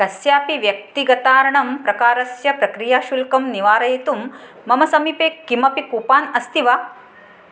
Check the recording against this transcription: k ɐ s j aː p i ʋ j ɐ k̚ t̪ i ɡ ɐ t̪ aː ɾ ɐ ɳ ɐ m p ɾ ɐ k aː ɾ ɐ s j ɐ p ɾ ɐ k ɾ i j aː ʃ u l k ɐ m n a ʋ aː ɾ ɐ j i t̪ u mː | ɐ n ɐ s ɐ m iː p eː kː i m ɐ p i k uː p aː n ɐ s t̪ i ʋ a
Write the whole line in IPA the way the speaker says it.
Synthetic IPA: k ɐ s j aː p i ʋ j ɐ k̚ t̪ i ɡ ɐ t̪ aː ɾ ɐ ɳ ɐ m p ɾ ɐ k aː ɾ ɐ s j ɐ p ɾ ɐ k ɾ i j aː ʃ u l k ɐ m n i ʋ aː ɾ ɐ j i t̪ u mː | ɐ m ɐ s ɐ m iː p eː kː i m ɐ p i k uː p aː n ɐ s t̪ i ʋ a